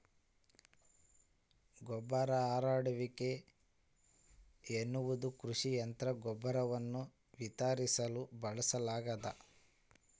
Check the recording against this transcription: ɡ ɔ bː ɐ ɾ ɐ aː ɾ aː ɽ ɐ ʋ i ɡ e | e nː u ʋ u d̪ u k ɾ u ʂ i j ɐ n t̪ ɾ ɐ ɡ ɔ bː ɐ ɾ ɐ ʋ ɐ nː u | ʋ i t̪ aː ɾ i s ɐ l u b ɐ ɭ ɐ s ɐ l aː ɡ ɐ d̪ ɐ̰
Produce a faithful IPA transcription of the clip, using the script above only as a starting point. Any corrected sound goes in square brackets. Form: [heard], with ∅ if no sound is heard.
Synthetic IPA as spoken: ɡ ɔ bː ɐ ɾ ɐ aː ɾ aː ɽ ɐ ʋ i [k] e | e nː u ʋ u d̪ u k ɾ u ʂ i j ɐ n t̪ ɾ ɐ ɡ ɔ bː ɐ ɾ ɐ ʋ ɐ nː u | ʋ i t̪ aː ɾ i s ɐ l u b ɐ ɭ ɐ s ɐ l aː ɡ ɐ d̪ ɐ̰